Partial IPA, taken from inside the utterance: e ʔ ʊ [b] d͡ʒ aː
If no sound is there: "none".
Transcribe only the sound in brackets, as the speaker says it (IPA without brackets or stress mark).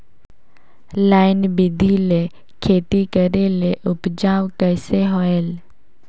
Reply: p